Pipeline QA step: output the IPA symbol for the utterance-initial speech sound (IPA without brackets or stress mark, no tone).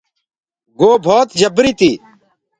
ɡ